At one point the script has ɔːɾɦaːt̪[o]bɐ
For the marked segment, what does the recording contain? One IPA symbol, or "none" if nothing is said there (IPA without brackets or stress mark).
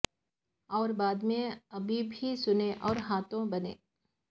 õ